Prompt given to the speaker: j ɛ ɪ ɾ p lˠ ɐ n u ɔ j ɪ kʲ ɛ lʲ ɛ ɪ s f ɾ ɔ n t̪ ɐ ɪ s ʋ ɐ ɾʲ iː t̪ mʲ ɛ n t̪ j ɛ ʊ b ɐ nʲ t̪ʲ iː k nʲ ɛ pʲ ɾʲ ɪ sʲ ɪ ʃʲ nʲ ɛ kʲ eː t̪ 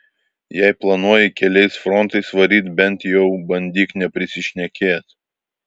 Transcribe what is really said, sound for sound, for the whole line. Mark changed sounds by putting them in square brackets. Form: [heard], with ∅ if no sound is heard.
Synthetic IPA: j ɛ ɪ [∅] p lˠ ɐ n u ɔ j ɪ kʲ ɛ lʲ ɛ ɪ s f ɾ ɔ n t̪ ɐ ɪ s ʋ ɐ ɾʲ iː t̪ [bʲ] ɛ n t̪ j ɛ ʊ b ɐ nʲ [d̪ʲ] iː k nʲ ɛ pʲ ɾʲ ɪ sʲ ɪ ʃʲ nʲ ɛ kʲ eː t̪